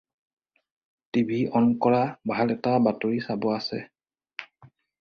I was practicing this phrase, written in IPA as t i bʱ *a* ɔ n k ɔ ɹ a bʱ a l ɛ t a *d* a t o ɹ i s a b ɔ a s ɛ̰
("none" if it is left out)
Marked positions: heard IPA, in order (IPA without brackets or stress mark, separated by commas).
i, b